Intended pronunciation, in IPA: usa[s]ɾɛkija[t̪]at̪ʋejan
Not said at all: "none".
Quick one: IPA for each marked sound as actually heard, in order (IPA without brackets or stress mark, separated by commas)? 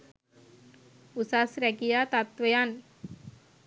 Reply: s, t̪